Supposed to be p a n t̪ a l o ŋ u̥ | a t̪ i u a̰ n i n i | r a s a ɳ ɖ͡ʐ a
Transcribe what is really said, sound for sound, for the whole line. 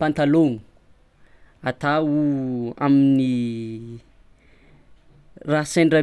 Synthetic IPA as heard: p a n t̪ a l o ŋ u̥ | a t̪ a u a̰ m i n i | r a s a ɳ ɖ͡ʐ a